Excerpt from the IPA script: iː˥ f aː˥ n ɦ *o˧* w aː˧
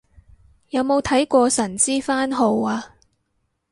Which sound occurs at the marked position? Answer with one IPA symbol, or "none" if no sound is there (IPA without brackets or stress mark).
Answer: o˧